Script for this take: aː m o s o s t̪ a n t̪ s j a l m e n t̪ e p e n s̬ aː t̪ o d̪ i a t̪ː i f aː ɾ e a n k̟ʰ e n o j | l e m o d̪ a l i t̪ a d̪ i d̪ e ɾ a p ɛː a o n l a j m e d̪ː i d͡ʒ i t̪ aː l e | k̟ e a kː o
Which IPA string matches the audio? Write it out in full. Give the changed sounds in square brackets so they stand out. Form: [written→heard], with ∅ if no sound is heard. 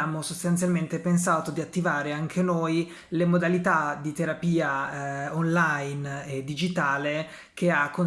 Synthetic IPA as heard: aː m o s o s t̪ a n t̪ s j a l m e n t̪ e p e n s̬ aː t̪ o d̪ i a t̪ː i [f→v] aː ɾ e a [n→ŋ] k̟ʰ e n o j | l e m o d̪ a l i t̪ a d̪ i [d̪→t̪] e ɾ a p [ɛː→iː] a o n l a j [m→n] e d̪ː i d͡ʒ i t̪ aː l e | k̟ e a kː o

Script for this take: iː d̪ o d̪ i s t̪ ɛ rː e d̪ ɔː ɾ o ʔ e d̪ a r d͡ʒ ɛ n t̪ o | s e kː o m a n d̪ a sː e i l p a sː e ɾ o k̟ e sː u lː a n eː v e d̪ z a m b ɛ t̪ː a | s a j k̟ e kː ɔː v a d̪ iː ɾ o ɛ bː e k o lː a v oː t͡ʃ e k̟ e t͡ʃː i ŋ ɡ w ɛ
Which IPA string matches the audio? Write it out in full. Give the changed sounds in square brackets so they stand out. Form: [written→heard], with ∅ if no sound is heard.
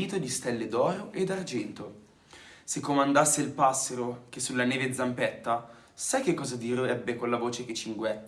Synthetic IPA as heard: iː [d̪→t̪] o d̪ i s t̪ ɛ [rː→lː] e d̪ ɔː ɾ o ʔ e d̪ a r d͡ʒ ɛ n t̪ o | s e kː o m a n d̪ a sː e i l p a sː e ɾ o k̟ e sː u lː a n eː v e d̪ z a m [b→p] ɛ t̪ː a | s a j k̟ e kː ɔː [v→z] a d̪ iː ɾ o ɛ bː e k o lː a v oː t͡ʃ e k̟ e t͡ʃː i ŋ ɡ w ɛ

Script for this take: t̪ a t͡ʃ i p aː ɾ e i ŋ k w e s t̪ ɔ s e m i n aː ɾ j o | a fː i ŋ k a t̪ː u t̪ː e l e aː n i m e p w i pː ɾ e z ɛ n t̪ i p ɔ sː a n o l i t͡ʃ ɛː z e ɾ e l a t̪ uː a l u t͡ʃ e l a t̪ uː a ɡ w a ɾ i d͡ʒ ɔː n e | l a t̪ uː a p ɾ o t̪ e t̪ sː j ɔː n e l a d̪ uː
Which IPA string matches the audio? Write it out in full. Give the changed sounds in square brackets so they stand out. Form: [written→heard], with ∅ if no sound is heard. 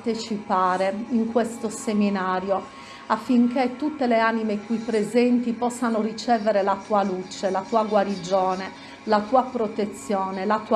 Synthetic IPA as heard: t̪ [a→e] t͡ʃ i p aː ɾ e i ŋ k w e s t̪ [ɔ→o] s e m i n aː ɾ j o | a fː i ŋ k [a→e] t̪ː u t̪ː e l e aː n i m e [p→k] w i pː ɾ e z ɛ n t̪ i p ɔ sː a n o [l→r] i t͡ʃ ɛː [z→v] e ɾ e l a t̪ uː a l u t͡ʃ e l a t̪ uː a ɡ w a ɾ i d͡ʒ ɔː n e | l a t̪ uː a p ɾ o t̪ e t̪ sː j ɔː n e l a [d̪→t̪] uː

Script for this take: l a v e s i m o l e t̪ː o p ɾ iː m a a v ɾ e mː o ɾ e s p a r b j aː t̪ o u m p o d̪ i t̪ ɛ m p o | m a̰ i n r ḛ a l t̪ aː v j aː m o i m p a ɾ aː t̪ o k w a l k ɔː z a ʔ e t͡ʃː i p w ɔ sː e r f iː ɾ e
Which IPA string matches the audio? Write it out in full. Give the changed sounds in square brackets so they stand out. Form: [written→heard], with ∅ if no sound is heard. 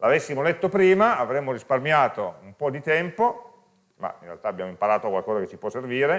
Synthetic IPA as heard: l a v e [s→sː] i m o l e t̪ː o p ɾ iː m a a v ɾ e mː o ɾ [e→i] s p a r [b→m] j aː t̪ o u m p [o→ɔ] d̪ i t̪ ɛ m p o | m a̰ i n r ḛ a l t̪ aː [v→b] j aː m o i m p a ɾ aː t̪ o k w a l k ɔː z a [ʔ→k] e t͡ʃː i p w ɔ sː e r [f→v] iː ɾ e

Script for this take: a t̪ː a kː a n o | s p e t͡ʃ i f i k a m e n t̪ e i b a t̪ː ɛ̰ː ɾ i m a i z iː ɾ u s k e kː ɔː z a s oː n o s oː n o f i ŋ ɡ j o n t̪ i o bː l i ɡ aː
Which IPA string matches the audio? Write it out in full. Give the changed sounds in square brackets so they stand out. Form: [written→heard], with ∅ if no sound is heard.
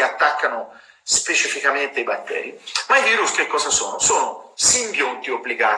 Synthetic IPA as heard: a t̪ː a kː a n o | s p e t͡ʃ i f i k a m e n t̪ e i b a t̪ː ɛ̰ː ɾ i m a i [z→v] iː ɾ u s k e kː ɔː z a s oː n o s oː n o [f→s] i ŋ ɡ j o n t̪ i o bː l i ɡ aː

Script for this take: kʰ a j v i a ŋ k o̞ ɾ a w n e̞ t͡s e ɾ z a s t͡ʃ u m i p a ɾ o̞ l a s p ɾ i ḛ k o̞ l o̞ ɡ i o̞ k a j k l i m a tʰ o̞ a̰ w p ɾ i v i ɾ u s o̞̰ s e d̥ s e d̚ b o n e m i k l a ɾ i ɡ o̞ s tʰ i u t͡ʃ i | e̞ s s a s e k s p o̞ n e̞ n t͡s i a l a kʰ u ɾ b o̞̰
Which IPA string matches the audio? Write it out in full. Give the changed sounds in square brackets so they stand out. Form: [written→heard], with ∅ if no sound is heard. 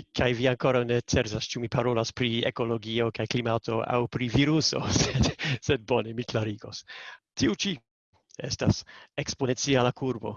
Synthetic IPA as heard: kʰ a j v i a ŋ k o̞ ɾ a w n e̞ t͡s e ɾ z a s t͡ʃ u m i p a ɾ o̞ l a s p ɾ i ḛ k o̞ l o̞ ɡ i o̞ k a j k l i m a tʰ o̞ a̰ w p ɾ i v i ɾ u s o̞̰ s e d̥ s e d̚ b o n e m i k l a ɾ i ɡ o̞ s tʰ i u t͡ʃ i | e̞ s [s→t] a s e k s p o̞ n e̞ n t͡s i a l a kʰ u ɾ b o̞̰

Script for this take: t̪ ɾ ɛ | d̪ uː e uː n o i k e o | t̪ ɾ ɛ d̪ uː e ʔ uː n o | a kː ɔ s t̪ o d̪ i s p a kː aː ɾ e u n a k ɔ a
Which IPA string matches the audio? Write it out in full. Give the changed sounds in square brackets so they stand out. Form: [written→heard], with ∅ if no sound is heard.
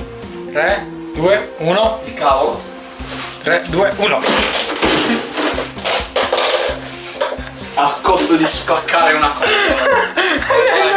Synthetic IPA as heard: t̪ ɾ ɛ | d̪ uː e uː n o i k [e→a] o | t̪ ɾ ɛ d̪ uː e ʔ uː n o | a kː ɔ s t̪ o d̪ i s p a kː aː ɾ e u n a k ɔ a

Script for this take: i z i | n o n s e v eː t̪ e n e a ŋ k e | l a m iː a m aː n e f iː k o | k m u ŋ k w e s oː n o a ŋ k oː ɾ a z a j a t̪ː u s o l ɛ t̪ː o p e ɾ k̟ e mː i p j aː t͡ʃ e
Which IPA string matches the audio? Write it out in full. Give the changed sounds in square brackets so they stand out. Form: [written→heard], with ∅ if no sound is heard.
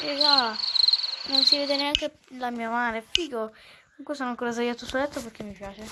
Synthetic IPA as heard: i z [i→a] | n o n s [e→i] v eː [t̪→d̪] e n e a ŋ k e | l a m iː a m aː n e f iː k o | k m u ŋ k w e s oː n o a ŋ k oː ɾ a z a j a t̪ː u s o l ɛ t̪ː o p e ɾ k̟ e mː i p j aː t͡ʃ e

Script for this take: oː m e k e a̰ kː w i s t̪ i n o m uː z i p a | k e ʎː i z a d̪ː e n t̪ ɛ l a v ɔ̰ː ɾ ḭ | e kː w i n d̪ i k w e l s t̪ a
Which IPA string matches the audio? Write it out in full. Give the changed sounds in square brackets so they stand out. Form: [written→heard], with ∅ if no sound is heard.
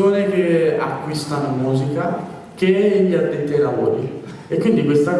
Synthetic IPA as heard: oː [m→n] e k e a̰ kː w i s t̪ [i→a] n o m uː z i [p→k] a | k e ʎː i [z→∅] a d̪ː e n t̪ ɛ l a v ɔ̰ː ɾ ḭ | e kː w i n d̪ i k w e [l→∅] s t̪ a

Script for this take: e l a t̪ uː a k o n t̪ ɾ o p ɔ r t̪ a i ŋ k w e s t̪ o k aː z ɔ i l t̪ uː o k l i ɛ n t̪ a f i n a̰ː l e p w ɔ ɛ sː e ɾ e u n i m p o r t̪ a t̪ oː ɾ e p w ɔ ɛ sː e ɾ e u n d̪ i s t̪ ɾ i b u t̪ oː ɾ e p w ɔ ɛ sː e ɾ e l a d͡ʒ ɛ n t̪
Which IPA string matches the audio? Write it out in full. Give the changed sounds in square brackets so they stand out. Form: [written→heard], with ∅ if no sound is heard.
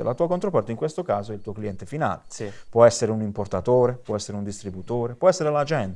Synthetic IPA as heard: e l a t̪ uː a k o n t̪ ɾ o p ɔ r t̪ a i ŋ k w e s t̪ o k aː z [ɔ→o] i l t̪ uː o k l i ɛ n t̪ [a→e] f i n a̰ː l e p w ɔ ɛ sː e ɾ e u n i m p o r t̪ a t̪ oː ɾ e p w ɔ ɛ sː e ɾ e u n d̪ i s t̪ ɾ i b u t̪ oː ɾ e p w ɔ ɛ sː e ɾ e l a d͡ʒ ɛ n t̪

